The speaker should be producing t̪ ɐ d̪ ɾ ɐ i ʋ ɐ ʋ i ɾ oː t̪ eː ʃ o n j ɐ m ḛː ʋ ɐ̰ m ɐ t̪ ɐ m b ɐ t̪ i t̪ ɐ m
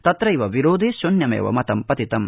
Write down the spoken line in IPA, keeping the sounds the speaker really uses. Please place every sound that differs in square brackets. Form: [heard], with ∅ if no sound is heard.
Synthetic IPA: t̪ ɐ [t̪] ɾ ɐ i ʋ ɐ ʋ i ɾ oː [d̪] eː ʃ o n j ɐ m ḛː ʋ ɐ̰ m ɐ t̪ ɐ m [p] ɐ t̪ i t̪ ɐ m

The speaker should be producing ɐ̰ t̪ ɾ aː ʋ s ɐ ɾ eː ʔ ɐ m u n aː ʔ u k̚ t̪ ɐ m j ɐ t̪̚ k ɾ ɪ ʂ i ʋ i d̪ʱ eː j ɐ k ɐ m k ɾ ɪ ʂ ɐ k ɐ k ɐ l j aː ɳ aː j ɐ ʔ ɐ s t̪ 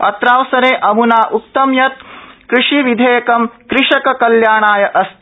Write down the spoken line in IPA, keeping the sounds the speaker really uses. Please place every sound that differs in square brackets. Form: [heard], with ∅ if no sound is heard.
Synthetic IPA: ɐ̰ t̪ ɾ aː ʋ s ɐ ɾ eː ʔ ɐ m u n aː ʔ u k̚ t̪ ɐ m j ɐ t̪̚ k ɾ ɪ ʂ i ʋ i d̪ʱ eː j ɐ k ɐ m k ɾ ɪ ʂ ɐ k ɐ k ɐ l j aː ɳ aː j ɐ ʔ ɐ s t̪

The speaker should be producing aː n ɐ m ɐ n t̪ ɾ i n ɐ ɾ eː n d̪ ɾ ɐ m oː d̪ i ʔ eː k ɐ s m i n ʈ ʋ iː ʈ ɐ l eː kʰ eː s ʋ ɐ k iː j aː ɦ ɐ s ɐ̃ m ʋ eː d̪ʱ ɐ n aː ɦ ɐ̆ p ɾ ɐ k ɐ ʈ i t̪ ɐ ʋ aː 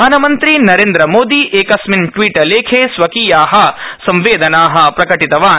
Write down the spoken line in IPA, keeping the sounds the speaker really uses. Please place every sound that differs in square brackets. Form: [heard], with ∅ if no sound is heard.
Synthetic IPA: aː n ɐ m ɐ n t̪ ɾ i n ɐ ɾ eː n d̪ ɾ ɐ m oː d̪ i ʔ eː k ɐ s m i n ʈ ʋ iː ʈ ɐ l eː kʰ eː s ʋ ɐ k iː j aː ɦ ɐ s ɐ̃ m ʋ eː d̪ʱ ɐ n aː ɦ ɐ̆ p ɾ ɐ k ɐ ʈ i t̪ ɐ ʋ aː

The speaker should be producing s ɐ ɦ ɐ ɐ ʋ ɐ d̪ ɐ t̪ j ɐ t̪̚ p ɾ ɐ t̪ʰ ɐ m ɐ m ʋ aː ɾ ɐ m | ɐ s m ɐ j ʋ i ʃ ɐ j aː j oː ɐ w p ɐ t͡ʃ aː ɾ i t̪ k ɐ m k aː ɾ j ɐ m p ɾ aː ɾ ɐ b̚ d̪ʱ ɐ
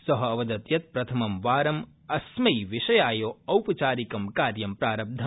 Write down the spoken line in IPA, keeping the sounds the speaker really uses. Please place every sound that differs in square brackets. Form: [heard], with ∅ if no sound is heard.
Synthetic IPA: s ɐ ɦ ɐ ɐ ʋ ɐ d̪ ɐ t̪ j ɐ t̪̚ p ɾ ɐ t̪ʰ ɐ m ɐ m ʋ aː ɾ ɐ m | ɐ s m ɐ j ʋ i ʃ ɐ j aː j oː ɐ w p ɐ t͡ʃ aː ɾ i [∅] k ɐ m k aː ɾ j ɐ m p ɾ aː ɾ ɐ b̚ d̪ʱ ɐ

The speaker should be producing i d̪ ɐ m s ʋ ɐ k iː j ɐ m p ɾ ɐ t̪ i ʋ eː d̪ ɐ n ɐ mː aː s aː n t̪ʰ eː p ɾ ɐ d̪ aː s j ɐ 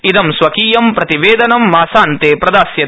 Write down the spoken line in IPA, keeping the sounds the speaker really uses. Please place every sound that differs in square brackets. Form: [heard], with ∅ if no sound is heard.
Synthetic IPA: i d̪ ɐ m s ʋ ɐ k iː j ɐ m p ɾ ɐ t̪ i ʋ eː d̪ ɐ n ɐ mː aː s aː n [t̪] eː p ɾ ɐ d̪ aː s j ɐ

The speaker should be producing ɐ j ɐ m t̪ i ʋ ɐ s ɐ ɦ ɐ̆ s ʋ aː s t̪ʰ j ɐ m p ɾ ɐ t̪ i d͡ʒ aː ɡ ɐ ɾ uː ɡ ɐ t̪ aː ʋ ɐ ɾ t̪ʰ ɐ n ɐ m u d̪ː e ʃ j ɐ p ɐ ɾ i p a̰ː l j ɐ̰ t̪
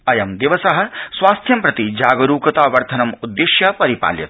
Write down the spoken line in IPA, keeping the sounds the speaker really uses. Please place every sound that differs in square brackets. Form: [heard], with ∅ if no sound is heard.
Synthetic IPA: ɐ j ɐ m [d̪] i ʋ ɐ s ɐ ɦ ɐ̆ s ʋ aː s t̪ʰ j ɐ m p ɾ ɐ t̪ i d͡ʒ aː ɡ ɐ ɾ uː [k] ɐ t̪ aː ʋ ɐ ɾ t̪ʰ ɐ n ɐ m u d̪ː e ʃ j ɐ p ɐ ɾ i p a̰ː l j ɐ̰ t̪

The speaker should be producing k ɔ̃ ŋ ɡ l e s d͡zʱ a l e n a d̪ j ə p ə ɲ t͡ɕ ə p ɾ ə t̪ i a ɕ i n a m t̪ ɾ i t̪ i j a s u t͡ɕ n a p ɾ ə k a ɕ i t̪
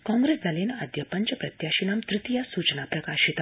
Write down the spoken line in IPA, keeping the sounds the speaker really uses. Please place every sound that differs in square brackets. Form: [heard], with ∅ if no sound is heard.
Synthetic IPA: k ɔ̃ ŋ ɡ [ɾ] e s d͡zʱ a l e n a d̪ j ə p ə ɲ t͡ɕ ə p ɾ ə t̪ [j] a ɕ i n a m t̪ ɾ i t̪ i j a s u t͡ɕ n a p ɾ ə k a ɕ i t̪

